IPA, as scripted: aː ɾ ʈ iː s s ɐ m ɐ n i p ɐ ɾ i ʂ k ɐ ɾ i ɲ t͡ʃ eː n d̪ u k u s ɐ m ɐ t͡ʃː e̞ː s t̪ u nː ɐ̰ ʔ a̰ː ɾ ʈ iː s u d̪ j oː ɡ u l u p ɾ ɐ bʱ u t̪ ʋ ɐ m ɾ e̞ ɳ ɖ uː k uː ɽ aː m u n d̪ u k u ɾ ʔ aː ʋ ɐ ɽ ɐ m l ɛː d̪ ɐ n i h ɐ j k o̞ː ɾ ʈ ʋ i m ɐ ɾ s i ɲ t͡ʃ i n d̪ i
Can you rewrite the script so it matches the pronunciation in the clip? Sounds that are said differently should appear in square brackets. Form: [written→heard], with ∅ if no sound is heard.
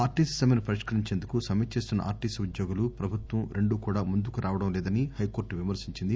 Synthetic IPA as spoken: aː ɾ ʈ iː s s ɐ m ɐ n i p ɐ ɾ i ʂ k ɐ ɾ i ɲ t͡ʃ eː n d̪ u k u s ɐ m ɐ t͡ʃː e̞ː s t̪ u nː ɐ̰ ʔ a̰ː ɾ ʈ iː s u d̪ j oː ɡ u l u p ɾ ɐ bʱ u t̪ ʋ ɐ m ɾ e̞ ɳ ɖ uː k uː ɽ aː m u n d̪ u k u ɾ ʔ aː ʋ ɐ ɽ ɐ m l ɛː d̪ ɐ n i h ɐ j k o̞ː ɾ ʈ ʋ i m ɐ ɾ s i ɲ t͡ʃ i n d̪ i